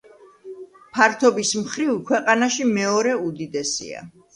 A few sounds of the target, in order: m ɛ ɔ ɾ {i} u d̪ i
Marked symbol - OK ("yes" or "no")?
no